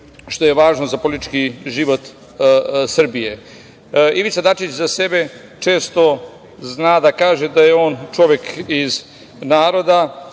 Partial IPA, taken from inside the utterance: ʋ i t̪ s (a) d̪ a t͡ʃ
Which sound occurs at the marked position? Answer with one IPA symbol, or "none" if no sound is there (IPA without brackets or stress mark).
a